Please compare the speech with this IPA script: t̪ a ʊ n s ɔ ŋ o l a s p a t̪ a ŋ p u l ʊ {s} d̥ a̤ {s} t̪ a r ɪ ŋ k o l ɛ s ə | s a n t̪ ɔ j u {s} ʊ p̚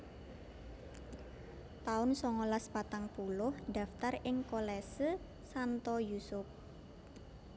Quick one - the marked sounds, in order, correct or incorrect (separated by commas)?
incorrect, incorrect, correct